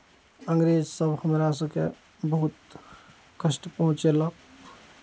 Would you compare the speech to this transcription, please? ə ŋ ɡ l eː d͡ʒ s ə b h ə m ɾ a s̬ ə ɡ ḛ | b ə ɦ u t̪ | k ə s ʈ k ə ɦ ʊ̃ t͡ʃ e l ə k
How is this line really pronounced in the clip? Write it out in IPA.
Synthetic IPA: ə ŋ ɡ ɾ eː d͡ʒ s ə b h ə m ɾ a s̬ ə k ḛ | b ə ɦ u t̪ | k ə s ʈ p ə ɦ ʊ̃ t͡ʃ e l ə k